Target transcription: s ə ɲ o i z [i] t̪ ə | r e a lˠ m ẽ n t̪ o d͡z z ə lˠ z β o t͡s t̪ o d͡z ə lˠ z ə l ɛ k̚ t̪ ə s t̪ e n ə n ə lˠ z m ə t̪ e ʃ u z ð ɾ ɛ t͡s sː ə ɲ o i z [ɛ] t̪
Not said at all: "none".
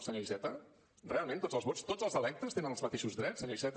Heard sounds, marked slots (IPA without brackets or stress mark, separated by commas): ɛ, ɛ